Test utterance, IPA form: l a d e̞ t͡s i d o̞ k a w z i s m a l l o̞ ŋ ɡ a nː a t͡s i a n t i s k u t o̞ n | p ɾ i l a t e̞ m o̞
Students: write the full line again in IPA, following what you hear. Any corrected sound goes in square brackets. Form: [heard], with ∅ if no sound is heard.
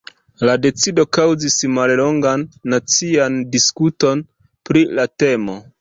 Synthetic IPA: l a d e̞ t͡s i d o̞ k a w z i s m a l l o̞ ŋ ɡ a nː a t͡s i a n [d] i s k u t o̞ n | p ɾ i l a t e̞ m o̞